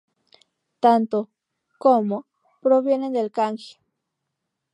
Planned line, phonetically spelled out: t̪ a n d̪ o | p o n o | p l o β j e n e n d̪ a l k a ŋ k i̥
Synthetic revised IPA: t̪ a n t̪ o | k o m o | p ɾ o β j e n e n d̪ e l k a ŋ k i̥